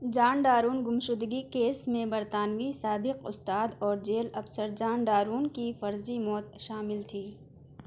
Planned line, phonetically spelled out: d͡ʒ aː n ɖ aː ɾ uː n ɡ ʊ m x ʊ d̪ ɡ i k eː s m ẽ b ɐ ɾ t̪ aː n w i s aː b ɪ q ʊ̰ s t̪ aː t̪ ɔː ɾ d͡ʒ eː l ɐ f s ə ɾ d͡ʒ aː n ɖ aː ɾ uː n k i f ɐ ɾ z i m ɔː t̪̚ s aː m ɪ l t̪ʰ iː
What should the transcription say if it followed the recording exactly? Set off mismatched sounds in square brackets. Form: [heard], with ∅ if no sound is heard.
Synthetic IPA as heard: d͡ʒ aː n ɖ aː ɾ uː n ɡ ʊ m [ʃ] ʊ d̪ ɡ i k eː s m ẽ b ɐ ɾ t̪ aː n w i s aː b ɪ q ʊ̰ s t̪ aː [d̪] ɔː ɾ d͡ʒ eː l ɐ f s ə ɾ d͡ʒ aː n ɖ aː ɾ uː n k i f ɐ ɾ z i m ɔː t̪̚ [ʃ] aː m ɪ l t̪ʰ iː